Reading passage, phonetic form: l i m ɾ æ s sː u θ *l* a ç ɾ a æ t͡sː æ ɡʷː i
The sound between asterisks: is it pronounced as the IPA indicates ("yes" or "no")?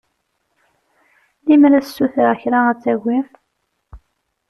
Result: no